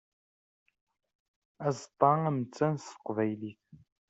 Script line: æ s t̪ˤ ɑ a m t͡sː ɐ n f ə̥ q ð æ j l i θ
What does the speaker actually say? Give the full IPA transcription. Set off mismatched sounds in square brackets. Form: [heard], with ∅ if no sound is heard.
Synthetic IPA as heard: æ [z] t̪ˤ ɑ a m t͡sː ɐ n [s] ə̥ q [v] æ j l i θ

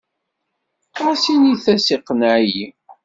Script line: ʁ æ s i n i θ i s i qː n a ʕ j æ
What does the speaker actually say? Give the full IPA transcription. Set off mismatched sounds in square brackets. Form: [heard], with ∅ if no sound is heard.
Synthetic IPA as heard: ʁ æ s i n i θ [æ] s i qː n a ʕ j [i]

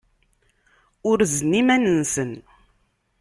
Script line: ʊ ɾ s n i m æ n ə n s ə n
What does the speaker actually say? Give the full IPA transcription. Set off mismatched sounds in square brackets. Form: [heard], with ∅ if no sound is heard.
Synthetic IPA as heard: ʊ ɾ [z] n i m æ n ə n s ə n

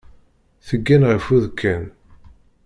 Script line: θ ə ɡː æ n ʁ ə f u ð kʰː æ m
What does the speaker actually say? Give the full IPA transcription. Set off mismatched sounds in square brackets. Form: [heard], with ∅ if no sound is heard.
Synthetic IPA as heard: θ ə ɡː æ n ʁ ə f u ð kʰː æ [n]

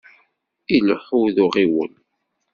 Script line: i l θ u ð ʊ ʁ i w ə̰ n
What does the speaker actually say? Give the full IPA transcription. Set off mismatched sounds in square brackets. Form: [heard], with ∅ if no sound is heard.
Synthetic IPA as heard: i l [ħ] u ð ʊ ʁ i w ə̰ n

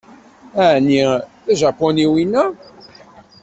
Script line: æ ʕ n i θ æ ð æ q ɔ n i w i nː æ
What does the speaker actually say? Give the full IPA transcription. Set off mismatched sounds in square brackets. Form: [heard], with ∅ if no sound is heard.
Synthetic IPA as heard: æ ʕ n i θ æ [ʒ] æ [p] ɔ n i w i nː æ

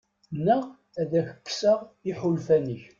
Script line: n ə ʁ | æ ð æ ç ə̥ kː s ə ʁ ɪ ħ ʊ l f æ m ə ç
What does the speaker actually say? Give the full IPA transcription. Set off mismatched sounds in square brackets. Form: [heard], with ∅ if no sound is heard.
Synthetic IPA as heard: n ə ʁ | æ ð æ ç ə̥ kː s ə ʁ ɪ ħ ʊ l f æ [n] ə ç

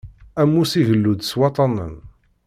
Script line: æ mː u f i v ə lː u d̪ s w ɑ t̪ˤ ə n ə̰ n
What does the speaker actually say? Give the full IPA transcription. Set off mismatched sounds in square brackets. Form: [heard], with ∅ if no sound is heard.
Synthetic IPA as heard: æ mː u [s] i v ə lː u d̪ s w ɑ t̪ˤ [ɑ] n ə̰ n

